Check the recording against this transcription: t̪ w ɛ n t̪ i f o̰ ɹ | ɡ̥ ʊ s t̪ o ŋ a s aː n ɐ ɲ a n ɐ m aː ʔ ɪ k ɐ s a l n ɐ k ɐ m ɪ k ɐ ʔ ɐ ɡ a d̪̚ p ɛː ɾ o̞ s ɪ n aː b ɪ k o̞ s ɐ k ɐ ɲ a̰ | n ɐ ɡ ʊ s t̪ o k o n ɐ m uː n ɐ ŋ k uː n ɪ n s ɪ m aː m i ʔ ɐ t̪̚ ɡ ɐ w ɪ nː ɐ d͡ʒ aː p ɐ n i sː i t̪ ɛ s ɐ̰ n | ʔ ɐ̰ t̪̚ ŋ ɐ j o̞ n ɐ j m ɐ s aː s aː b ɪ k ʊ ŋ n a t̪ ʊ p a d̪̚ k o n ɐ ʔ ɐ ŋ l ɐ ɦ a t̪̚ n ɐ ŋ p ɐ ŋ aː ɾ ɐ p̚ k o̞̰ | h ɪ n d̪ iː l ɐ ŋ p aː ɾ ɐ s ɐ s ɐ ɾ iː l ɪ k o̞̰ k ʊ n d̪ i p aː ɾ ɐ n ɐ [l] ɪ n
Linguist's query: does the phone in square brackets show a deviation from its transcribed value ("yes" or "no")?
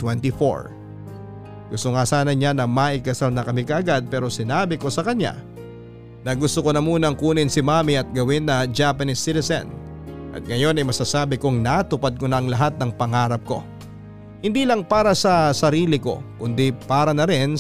yes